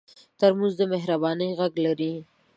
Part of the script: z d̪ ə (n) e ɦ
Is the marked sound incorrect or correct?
incorrect